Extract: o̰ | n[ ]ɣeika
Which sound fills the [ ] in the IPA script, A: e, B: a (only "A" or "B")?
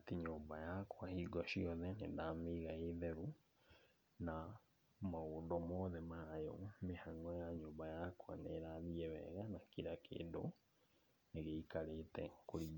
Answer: A